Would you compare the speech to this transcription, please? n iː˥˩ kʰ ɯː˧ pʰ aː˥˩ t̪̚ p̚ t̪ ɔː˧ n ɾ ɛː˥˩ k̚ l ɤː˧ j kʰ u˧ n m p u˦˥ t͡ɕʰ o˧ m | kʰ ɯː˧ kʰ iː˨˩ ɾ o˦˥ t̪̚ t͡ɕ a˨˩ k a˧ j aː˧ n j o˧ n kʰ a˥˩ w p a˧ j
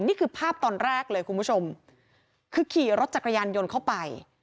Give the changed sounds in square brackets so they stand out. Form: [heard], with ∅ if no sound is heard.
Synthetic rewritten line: n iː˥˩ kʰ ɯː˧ pʰ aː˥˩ [∅] p̚ t̪ ɔː˧ n ɾ ɛː˥˩ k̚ l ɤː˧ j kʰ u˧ n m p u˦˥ t͡ɕʰ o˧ m | kʰ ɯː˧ kʰ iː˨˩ ɾ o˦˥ t̪̚ t͡ɕ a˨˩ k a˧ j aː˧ n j o˧ n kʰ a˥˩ w p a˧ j